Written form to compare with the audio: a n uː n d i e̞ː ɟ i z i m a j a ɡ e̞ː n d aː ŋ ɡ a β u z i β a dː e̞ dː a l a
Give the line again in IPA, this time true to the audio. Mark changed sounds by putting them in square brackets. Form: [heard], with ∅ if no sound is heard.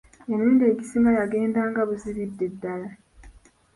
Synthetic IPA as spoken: [e] n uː n d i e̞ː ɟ i [s] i m a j a ɡ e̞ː n d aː ŋ ɡ a β u z i β [i] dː e̞ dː a l a